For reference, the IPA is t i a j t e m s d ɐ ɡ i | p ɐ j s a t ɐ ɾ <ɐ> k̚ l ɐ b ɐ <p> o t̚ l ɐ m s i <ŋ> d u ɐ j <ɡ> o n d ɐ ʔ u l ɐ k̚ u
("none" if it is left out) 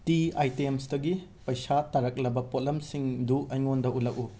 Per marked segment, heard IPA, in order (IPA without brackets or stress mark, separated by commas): ɐ, p, ŋ, ŋ